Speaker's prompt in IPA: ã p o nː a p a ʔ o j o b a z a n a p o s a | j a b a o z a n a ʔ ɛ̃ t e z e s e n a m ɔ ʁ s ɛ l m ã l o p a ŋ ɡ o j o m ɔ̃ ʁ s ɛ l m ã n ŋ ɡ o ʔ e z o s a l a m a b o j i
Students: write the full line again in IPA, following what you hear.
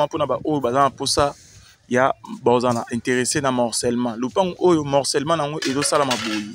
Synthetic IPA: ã p o n a b a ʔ o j o b a z a n a p o s a | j a b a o z a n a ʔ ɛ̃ t e ʁ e s e n a m ɔ ʁ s ɛ l m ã l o p a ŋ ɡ o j o m ɔ ʁ s ɛ l m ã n ŋ ɡ o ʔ e z o s a l a m a b o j i